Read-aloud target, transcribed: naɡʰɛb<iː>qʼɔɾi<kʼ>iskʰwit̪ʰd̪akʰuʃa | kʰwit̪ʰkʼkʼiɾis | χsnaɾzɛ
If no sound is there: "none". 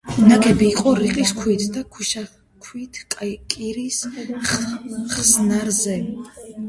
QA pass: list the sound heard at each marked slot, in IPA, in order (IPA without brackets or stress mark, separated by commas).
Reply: iː, qʼ